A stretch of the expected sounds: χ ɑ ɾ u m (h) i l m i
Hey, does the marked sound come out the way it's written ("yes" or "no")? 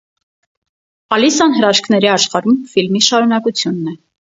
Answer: no